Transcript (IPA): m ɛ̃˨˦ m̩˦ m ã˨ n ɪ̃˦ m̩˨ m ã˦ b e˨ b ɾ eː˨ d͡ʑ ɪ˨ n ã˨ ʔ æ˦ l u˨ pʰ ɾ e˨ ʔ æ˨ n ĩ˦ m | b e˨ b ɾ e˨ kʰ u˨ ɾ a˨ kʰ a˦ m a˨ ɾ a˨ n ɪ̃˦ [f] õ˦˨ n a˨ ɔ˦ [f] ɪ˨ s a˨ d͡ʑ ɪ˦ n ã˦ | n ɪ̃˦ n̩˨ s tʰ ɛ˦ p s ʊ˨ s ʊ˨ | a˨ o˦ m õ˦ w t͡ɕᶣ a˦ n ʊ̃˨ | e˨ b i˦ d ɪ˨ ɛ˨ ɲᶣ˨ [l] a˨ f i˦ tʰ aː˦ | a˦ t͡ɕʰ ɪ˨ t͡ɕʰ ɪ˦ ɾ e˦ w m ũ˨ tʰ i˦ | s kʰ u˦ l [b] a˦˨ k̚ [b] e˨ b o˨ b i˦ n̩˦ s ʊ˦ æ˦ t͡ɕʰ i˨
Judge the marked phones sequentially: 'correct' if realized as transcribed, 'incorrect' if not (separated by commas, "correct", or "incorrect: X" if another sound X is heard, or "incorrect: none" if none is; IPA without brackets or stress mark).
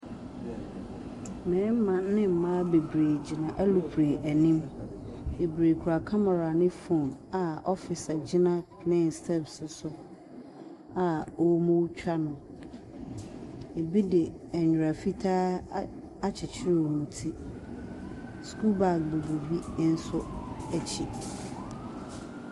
correct, correct, incorrect: ɾ, correct, correct